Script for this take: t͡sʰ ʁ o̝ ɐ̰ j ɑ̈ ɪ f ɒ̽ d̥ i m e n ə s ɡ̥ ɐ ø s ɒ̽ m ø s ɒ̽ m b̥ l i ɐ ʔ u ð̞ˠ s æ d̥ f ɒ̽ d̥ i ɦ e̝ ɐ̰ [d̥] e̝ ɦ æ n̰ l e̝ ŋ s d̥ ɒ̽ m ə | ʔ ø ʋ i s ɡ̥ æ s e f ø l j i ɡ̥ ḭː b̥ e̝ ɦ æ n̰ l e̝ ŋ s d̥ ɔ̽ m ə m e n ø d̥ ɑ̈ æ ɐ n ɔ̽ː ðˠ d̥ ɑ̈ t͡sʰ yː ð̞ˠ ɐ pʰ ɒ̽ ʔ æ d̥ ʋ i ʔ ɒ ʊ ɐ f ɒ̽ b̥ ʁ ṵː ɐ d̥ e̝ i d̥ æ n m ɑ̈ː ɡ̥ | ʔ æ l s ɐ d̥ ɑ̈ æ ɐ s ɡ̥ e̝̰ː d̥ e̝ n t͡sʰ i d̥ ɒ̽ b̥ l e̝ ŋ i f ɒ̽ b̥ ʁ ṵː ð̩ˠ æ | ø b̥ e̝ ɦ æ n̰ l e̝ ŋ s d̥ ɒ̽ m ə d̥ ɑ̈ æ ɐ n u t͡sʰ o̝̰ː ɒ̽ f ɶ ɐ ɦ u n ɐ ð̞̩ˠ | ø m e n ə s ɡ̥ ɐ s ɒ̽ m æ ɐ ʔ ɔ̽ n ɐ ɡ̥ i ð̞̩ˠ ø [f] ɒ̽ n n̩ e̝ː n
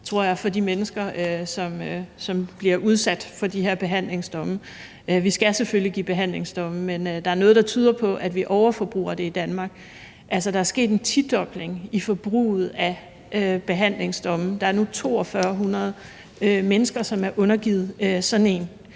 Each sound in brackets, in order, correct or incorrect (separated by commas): incorrect, incorrect